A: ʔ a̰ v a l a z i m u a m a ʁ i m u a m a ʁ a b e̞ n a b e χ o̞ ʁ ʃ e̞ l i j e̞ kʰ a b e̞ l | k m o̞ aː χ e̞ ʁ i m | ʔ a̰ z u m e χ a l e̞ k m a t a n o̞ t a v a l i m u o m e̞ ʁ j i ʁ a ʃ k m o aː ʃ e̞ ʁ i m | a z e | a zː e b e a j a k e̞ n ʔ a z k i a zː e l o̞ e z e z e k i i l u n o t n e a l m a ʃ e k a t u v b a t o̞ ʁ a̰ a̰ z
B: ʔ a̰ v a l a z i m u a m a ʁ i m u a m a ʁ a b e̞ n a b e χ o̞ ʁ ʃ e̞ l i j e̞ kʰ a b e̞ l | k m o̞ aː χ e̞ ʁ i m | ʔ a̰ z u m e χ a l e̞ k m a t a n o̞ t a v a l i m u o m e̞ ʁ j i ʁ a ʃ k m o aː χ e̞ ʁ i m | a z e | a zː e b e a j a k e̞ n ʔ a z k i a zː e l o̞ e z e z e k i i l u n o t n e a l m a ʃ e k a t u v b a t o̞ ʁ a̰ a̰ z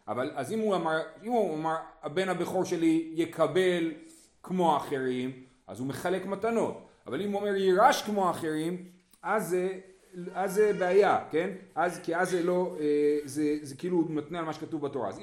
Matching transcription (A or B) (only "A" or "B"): B